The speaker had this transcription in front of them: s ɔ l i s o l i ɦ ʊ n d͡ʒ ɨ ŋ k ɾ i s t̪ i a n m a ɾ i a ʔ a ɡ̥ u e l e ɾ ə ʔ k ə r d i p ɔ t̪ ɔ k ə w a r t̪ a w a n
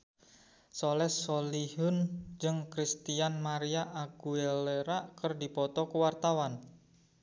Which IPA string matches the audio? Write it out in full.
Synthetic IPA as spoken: s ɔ l ɛ s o l i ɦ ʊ n d͡ʒ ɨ ŋ k ɾ i s t̪ i a n m a ɾ i a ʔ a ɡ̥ u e l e ɾ a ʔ k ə r d i p ɔ t̪ ɔ k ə w a r t̪ a w a n